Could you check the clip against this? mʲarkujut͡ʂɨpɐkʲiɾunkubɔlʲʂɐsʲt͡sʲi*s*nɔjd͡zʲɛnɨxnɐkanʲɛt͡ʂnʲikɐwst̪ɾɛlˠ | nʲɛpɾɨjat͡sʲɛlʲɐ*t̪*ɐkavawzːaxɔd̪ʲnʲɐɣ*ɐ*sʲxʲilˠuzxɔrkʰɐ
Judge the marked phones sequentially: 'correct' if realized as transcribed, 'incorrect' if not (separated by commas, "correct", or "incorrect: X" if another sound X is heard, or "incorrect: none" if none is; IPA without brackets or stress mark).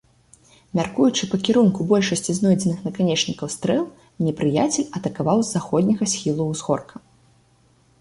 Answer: incorrect: z, correct, correct